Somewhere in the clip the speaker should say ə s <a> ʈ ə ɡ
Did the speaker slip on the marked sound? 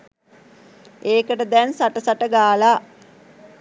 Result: no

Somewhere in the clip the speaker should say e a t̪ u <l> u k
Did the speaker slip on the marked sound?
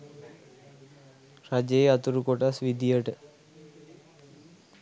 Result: yes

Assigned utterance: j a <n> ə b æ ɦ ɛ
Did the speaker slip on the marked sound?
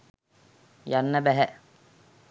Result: yes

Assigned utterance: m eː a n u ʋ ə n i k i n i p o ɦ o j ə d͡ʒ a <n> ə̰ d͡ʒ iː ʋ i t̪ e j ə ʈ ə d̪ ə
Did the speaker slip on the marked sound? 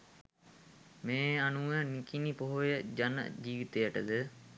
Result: no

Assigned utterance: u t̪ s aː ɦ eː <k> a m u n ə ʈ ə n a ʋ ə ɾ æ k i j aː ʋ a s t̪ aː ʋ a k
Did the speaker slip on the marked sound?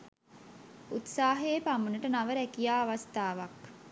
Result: yes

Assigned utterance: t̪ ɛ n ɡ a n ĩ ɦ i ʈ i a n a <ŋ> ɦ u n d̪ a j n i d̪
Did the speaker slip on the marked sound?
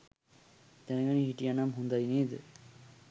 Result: yes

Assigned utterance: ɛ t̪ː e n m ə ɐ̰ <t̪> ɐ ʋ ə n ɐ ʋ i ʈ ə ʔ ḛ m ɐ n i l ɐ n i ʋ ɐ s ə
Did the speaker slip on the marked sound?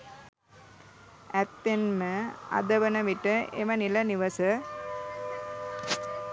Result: yes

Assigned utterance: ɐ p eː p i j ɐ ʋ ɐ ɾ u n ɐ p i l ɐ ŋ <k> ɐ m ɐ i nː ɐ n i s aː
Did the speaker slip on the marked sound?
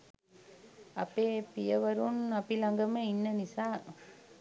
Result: yes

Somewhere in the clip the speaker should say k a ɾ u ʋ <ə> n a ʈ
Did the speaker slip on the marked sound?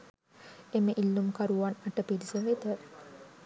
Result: yes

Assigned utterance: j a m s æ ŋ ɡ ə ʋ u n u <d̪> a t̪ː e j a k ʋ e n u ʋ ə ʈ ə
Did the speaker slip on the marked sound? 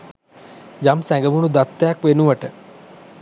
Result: no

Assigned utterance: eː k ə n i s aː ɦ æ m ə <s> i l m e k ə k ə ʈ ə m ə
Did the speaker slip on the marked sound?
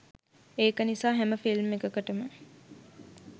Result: yes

